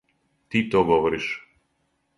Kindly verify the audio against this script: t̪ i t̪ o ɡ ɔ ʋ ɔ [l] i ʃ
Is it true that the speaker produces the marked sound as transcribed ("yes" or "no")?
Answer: no